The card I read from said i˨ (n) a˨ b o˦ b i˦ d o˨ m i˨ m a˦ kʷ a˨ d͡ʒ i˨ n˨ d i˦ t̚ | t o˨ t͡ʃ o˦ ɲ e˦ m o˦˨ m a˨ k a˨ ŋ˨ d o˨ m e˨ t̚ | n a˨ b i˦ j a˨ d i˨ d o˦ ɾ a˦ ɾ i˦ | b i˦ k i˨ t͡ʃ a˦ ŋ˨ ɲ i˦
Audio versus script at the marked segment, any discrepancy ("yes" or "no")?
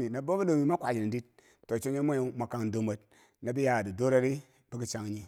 no